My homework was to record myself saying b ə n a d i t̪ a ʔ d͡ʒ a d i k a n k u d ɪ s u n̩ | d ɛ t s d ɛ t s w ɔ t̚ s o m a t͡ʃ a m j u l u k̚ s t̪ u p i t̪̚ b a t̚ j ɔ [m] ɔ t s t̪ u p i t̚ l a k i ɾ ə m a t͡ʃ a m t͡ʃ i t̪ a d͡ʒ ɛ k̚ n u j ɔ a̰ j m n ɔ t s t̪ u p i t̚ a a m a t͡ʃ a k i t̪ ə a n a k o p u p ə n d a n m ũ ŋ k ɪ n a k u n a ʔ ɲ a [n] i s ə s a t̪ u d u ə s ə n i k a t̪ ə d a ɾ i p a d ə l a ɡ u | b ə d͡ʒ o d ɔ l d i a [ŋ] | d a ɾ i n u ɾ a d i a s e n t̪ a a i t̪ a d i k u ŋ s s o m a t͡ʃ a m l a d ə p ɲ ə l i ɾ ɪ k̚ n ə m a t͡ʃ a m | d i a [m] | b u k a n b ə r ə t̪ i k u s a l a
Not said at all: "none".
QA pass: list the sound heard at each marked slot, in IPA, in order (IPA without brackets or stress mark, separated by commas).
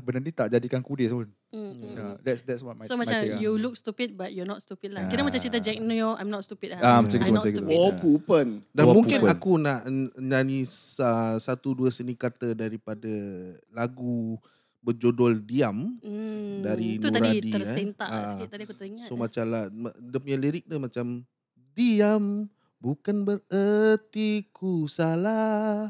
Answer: n, n, m, m